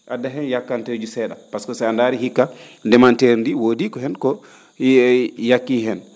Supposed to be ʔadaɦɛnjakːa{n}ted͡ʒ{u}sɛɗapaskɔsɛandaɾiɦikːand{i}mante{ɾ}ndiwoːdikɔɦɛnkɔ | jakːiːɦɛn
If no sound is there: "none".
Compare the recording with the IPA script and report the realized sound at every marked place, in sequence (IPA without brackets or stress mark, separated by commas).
n, u, ɛ, ɾ